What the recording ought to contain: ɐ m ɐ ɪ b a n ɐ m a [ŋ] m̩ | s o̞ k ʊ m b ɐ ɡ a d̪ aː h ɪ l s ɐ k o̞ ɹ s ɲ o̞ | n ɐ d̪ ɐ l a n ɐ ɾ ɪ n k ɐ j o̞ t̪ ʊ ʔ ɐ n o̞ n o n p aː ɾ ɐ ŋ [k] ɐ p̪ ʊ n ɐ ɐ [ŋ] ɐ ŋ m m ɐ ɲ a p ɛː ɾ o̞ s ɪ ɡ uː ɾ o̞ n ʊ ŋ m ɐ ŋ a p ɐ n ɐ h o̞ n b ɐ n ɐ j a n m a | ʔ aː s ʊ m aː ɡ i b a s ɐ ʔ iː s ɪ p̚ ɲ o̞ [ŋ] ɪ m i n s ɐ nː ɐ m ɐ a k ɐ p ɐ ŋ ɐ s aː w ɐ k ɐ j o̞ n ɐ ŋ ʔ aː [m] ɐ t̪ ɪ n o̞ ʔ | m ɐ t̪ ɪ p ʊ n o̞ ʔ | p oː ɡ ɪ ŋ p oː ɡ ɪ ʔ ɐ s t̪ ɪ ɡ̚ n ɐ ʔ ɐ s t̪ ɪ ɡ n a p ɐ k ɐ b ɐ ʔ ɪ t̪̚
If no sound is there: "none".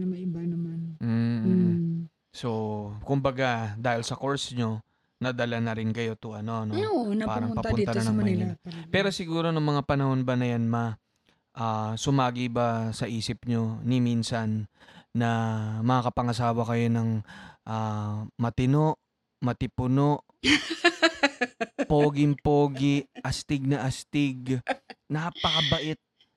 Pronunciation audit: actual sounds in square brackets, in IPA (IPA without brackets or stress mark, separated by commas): n, p, n, n, m